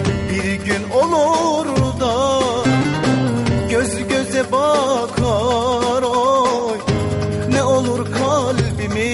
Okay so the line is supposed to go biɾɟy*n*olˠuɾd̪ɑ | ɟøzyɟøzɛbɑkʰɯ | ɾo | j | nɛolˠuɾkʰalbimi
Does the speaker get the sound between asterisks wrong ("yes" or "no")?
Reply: no